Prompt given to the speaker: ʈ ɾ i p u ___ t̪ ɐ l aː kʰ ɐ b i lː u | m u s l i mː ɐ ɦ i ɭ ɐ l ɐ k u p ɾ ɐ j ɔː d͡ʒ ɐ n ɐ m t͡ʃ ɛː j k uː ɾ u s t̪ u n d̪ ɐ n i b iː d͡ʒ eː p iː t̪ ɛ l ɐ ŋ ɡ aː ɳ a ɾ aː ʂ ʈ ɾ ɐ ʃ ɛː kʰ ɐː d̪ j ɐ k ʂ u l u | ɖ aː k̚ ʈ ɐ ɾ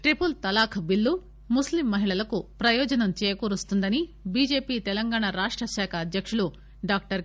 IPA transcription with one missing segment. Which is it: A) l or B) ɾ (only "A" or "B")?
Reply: A